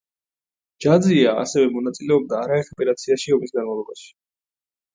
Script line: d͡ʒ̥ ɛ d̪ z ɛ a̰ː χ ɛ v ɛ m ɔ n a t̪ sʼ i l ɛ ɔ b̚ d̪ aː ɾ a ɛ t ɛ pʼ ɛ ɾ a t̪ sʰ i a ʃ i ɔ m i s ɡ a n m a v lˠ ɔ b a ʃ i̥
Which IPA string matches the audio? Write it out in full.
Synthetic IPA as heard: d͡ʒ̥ a d̪ z i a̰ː s ɛ v ɛ m ɔ n a t̪ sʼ i l ɛ ɔ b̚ d̪ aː ɾ a ɛ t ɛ pʼ ɛ ɾ a t̪ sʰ i a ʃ i ɔ m i s ɡ a n m a v lˠ ɔ b a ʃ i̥